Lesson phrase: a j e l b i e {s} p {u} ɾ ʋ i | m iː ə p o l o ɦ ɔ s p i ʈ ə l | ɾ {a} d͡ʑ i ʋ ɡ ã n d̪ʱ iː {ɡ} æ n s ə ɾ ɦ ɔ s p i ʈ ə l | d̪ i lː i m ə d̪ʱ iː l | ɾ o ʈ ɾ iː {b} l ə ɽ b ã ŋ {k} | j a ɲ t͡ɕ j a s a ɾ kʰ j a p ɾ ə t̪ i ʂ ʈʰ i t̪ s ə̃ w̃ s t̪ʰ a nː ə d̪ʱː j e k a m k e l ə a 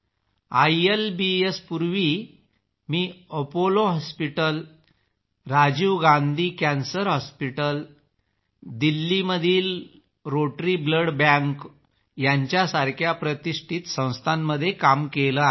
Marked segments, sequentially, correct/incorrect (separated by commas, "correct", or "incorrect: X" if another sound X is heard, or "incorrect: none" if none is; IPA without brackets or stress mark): correct, correct, correct, incorrect: k, correct, correct